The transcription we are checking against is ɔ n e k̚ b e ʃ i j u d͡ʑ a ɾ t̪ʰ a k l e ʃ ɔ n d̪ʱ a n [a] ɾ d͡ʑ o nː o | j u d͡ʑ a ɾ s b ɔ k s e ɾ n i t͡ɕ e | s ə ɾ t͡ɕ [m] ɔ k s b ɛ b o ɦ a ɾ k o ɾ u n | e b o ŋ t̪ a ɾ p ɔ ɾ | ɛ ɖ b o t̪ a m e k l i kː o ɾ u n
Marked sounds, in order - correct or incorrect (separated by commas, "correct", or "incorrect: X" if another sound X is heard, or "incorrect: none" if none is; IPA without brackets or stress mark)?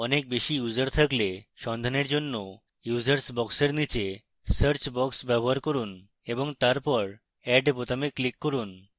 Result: incorrect: e, incorrect: b